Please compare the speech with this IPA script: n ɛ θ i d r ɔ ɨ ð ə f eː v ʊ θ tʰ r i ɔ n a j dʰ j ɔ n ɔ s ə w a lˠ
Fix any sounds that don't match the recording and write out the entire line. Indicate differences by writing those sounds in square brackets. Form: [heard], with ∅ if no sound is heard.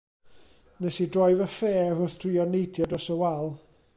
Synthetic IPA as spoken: n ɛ [s] i d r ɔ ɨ [v] ə f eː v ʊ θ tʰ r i ɔ n [e] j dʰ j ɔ [d] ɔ s ə w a lˠ

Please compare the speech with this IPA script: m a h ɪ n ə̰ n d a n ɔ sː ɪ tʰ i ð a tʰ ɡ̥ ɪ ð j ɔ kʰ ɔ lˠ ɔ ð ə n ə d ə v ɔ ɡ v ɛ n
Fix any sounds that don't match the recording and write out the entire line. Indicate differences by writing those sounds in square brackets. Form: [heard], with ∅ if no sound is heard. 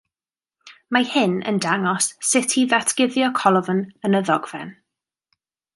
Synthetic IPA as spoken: m a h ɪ n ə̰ n d a [ŋ] ɔ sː ɪ tʰ i ð a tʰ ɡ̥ ɪ ð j ɔ kʰ ɔ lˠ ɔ [v] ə n ə [n] ə [ð] ɔ ɡ v ɛ n

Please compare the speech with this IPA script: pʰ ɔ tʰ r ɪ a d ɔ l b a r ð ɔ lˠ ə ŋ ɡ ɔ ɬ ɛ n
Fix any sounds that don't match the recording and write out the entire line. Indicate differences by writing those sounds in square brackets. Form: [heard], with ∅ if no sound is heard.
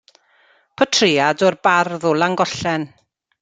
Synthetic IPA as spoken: pʰ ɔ tʰ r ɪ a d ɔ [r] b a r ð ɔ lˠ [a] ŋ ɡ ɔ ɬ ɛ n

